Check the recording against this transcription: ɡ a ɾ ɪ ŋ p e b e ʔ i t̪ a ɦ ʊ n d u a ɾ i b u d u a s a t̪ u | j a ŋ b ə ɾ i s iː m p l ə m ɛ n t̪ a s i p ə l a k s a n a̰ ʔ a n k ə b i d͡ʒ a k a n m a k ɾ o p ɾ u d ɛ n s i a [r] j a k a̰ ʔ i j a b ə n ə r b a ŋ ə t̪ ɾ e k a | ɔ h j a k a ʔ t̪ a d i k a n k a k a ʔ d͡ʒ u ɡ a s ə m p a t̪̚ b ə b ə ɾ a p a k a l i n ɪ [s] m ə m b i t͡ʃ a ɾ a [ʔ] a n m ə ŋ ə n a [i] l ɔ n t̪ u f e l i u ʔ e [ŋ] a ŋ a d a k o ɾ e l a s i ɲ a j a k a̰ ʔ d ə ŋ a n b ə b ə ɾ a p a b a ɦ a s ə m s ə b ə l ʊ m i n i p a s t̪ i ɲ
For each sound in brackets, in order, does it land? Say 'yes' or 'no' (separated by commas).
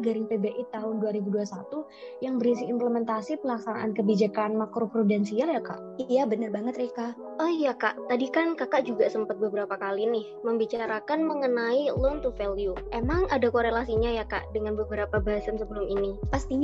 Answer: no, no, no, yes, no